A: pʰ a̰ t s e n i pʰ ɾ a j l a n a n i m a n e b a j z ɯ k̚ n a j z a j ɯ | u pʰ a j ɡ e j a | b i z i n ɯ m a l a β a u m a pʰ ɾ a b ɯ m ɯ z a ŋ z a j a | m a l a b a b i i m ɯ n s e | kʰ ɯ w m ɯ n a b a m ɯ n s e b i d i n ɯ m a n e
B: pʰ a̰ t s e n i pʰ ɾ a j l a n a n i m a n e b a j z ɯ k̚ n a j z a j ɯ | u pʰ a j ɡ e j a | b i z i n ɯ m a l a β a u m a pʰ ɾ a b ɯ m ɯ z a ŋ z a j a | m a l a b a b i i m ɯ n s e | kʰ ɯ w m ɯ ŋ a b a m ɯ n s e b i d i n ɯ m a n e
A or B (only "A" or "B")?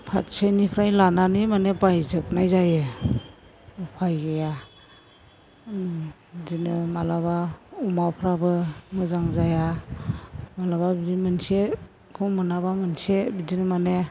A